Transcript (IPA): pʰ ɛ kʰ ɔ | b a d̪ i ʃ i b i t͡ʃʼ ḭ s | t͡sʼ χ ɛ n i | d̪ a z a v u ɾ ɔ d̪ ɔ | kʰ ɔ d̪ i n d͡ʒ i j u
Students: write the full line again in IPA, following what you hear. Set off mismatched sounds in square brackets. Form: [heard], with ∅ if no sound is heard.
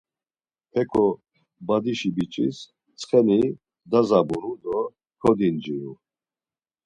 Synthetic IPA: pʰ ɛ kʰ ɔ | b a d̪ i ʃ i b i t͡ʃʼ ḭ s | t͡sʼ χ ɛ n i | d̪ a z a [b] u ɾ [u] d̪ ɔ | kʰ ɔ d̪ i n d͡ʒ i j u